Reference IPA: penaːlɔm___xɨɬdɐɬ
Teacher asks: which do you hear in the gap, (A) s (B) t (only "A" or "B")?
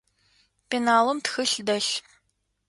B